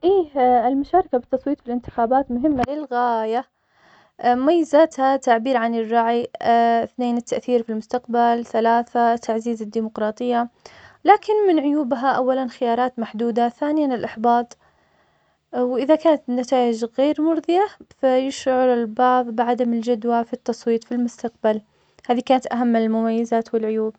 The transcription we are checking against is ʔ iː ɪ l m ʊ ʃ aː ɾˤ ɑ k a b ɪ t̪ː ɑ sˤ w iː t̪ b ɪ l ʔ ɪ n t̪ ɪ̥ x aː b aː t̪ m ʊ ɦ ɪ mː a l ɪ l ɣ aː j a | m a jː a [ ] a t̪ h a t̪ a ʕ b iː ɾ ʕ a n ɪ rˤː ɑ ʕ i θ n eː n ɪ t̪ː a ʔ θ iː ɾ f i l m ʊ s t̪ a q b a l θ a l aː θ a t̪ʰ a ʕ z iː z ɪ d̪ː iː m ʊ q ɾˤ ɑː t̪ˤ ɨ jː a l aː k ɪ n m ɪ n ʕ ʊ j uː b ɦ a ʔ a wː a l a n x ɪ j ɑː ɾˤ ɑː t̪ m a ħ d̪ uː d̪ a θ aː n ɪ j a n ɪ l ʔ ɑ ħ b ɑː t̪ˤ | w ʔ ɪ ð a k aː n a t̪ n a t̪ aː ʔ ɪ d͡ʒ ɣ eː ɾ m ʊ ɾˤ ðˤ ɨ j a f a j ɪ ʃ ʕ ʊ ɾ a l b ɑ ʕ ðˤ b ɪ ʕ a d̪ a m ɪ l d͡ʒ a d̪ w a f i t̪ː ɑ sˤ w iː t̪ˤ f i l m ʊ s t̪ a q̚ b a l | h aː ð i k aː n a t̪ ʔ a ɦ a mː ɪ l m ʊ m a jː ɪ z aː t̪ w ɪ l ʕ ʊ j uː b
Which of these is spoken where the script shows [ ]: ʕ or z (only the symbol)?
z